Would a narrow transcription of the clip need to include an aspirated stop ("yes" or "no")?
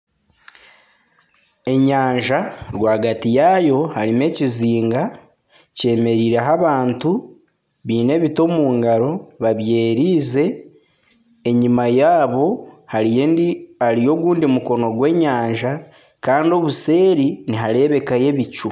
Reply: no